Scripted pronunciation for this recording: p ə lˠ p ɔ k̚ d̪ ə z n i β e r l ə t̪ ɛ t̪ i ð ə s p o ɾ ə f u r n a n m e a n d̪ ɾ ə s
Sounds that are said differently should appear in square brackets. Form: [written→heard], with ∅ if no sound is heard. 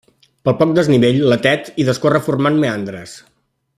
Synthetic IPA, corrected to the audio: p ə lˠ p ɔ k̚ d̪ ə z n i β e [r→ʎ] l ə t̪ ɛ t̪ i ð ə s [p→k] o [ɾ→r] ə f u r [n→m] a n m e a n d̪ ɾ ə s